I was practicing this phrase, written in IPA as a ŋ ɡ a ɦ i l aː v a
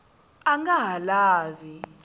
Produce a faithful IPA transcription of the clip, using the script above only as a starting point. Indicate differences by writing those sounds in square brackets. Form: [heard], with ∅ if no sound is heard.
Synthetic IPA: a ŋ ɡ a ɦ [a] l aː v [i]

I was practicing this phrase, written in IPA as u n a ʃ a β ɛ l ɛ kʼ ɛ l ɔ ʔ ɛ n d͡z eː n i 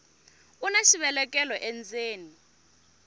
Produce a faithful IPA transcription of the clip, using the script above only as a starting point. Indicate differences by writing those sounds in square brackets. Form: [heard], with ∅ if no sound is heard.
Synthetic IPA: u n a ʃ [i] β ɛ l ɛ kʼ ɛ l ɔ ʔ ɛ n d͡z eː n i

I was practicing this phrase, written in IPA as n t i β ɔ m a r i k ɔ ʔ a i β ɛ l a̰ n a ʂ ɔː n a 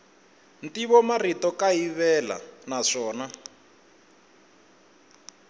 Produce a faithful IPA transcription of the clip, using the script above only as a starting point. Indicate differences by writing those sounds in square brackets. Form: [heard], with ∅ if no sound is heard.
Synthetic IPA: n t i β ɔ m a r i [t] ɔ [k] a i β ɛ l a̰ n a ʂ ɔː n a

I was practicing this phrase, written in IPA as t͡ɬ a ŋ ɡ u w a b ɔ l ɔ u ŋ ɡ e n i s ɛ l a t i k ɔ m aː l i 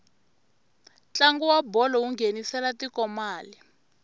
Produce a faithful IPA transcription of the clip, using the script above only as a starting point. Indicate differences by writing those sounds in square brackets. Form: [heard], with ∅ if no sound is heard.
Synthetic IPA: t͡ɬ a ŋ ɡ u w a b ɔ l ɔ u ŋ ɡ e n i s ɛ l a t i k ɔ m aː l i

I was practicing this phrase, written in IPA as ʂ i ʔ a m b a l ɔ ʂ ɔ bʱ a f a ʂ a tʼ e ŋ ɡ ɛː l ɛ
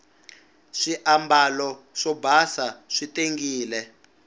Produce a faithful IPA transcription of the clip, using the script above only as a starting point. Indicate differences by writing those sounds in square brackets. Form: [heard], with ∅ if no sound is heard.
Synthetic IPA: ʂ i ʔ a m b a l ɔ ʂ ɔ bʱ a [s] a ʂ [i] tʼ e ŋ ɡ [iː] l ɛ

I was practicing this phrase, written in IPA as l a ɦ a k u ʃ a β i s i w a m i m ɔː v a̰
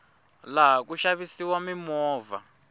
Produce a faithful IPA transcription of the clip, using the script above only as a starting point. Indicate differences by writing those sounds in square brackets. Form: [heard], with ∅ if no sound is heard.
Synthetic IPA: l a ɦ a k u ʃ a β i s i w a m i m ɔː v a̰

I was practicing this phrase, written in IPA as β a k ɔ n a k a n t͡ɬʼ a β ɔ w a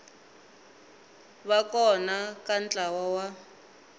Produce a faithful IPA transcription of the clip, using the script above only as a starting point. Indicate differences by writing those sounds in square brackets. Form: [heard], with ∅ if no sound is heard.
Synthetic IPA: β a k ɔ n a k a n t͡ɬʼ a [w] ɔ w a

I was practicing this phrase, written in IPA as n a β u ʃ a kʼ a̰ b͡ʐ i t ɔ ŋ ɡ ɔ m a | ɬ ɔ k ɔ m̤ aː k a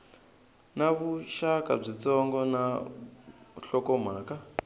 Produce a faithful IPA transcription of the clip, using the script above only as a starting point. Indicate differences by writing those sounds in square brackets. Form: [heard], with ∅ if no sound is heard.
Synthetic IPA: n a β u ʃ a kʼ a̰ b͡ʐ i [t͡s] ɔ ŋ ɡ ɔ [n] a | ɬ ɔ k ɔ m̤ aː k a

